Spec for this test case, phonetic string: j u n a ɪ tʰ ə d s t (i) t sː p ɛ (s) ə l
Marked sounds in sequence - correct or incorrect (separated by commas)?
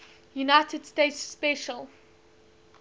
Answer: incorrect, incorrect